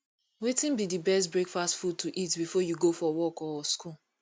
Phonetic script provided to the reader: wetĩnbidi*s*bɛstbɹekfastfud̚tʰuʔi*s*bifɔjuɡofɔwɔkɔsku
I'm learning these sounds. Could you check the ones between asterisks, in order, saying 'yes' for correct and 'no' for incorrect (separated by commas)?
no, no